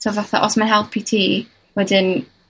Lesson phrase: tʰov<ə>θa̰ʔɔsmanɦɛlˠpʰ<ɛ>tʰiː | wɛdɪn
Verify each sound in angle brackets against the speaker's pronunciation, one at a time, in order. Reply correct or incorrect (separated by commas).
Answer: incorrect, incorrect